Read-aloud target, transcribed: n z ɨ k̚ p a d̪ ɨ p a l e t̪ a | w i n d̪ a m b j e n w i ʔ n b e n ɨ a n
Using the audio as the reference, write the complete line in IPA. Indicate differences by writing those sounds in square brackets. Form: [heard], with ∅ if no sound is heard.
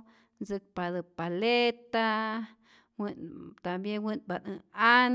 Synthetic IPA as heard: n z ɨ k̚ p a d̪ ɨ p a l e t̪ a | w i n [t̪] a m b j e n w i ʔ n b [a] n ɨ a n